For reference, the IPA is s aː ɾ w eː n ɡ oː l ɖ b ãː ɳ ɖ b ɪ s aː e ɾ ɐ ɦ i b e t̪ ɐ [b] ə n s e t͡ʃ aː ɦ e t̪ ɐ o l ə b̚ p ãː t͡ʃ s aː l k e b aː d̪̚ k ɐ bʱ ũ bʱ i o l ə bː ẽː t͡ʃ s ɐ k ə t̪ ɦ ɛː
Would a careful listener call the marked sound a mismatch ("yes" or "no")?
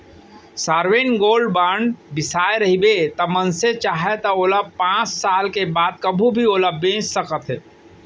yes